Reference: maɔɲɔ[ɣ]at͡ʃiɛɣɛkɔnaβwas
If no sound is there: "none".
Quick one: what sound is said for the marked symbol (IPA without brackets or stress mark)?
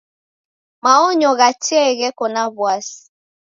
ɣ